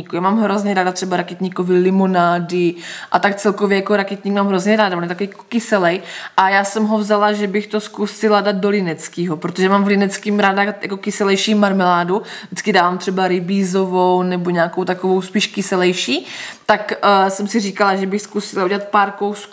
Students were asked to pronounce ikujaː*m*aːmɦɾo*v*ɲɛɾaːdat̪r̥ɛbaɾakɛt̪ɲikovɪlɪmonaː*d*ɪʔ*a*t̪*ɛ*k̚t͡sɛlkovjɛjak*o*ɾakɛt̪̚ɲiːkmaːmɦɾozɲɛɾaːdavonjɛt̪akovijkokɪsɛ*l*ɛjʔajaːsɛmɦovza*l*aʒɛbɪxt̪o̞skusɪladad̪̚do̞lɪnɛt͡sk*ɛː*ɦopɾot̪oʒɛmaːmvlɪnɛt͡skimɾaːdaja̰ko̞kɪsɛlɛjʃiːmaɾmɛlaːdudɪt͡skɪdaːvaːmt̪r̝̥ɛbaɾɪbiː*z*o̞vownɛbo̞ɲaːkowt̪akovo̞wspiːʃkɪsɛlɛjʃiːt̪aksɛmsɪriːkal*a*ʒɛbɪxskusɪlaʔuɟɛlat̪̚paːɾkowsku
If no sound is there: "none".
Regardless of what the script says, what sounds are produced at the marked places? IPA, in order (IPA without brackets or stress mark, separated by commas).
m, z, d, a, a, o, l, l, iː, z, a